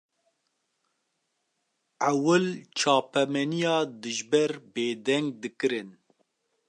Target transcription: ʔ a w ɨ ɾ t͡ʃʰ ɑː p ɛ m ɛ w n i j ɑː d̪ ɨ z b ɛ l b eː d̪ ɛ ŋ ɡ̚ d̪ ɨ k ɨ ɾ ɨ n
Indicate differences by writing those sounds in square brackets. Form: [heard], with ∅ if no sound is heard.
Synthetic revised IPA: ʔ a w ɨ [l] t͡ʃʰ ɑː p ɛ m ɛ [∅] n i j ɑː d̪ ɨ [ʒ] b ɛ [ɾ] b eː d̪ ɛ ŋ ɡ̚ d̪ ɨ k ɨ ɾ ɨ n